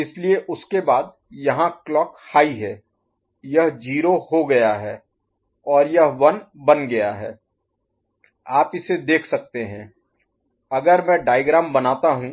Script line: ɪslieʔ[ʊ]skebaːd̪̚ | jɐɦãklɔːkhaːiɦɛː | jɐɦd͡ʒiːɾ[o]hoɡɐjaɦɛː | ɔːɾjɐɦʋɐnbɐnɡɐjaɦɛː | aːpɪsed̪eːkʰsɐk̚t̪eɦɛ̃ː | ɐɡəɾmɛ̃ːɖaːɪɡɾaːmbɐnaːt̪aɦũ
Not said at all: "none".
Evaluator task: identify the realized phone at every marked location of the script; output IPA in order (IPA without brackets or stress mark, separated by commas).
ʊ, o